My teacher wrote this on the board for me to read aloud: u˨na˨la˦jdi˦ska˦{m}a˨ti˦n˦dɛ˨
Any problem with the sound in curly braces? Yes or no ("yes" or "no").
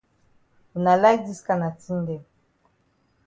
yes